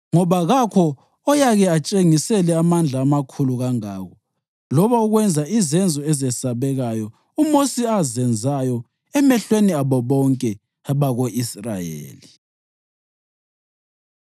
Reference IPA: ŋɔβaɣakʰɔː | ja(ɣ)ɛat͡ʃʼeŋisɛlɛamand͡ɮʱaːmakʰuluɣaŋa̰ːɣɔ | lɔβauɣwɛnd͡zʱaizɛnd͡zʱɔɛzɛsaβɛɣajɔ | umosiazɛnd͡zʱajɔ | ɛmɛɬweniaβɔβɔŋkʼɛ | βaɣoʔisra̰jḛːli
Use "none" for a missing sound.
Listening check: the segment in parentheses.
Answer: ɣ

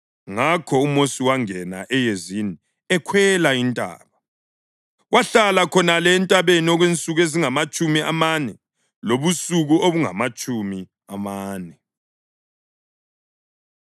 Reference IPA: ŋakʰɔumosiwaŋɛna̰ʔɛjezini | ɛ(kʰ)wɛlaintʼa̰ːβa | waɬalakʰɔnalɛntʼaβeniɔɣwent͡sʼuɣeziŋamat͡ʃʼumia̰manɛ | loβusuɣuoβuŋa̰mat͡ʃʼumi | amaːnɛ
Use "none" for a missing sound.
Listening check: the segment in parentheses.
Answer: kʰ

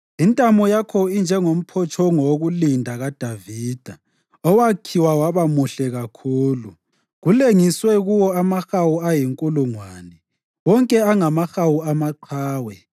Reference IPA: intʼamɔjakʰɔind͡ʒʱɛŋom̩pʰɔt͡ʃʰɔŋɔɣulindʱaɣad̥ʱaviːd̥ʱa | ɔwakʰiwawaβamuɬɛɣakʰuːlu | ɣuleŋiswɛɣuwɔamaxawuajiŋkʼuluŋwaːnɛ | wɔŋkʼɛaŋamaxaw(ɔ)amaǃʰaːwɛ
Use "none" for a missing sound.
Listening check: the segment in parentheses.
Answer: u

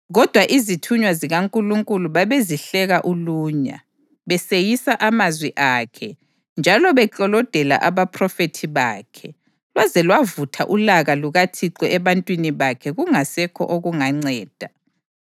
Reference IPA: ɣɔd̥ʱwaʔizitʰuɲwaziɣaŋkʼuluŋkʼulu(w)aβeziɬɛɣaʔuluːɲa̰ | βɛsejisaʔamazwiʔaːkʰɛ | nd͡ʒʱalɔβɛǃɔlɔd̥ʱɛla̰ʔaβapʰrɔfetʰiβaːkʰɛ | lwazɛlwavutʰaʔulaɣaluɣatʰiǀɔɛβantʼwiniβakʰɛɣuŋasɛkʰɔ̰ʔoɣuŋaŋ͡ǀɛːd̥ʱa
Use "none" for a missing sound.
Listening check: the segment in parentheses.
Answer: β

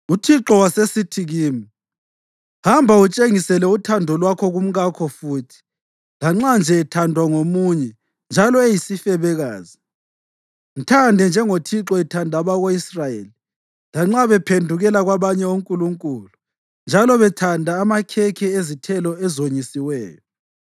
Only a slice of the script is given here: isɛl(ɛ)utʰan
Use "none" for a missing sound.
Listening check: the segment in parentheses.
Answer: ɛ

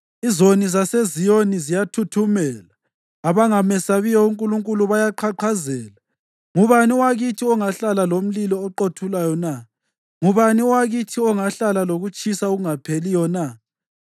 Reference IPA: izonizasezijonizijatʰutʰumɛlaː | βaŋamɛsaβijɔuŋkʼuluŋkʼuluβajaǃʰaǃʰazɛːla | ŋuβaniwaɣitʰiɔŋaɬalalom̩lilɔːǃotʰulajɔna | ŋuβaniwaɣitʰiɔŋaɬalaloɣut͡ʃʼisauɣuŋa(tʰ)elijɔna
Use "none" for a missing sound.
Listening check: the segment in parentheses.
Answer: pʰ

